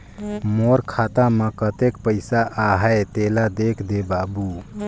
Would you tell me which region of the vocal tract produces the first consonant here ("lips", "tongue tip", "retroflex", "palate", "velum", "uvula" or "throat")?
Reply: lips